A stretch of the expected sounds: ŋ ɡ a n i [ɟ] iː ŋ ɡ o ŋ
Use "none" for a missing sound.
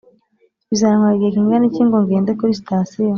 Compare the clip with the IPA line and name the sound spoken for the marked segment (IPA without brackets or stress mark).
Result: c